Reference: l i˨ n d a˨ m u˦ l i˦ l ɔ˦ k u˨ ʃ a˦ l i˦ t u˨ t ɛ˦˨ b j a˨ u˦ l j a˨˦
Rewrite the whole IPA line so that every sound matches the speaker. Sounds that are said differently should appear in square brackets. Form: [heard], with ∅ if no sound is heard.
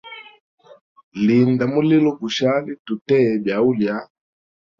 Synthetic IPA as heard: l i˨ n d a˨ m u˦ l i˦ l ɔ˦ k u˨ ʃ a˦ l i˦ t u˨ t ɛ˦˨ b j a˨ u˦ l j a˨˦